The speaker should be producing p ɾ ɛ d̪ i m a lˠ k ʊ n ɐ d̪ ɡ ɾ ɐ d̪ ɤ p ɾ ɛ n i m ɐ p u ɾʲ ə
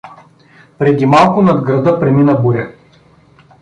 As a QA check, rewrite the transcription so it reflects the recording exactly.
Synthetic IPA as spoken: p ɾ ɛ d̪ i m a lˠ k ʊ n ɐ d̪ ɡ ɾ ɐ d̪ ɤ p ɾ ɛ m i n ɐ b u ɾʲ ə